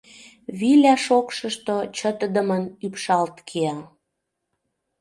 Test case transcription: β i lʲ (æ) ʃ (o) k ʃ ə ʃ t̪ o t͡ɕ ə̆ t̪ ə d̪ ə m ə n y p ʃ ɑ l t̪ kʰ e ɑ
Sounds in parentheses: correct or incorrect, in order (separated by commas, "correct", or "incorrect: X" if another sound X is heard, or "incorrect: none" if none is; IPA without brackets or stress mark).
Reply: correct, correct